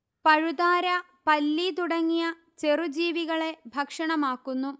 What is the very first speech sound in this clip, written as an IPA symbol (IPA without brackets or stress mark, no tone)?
p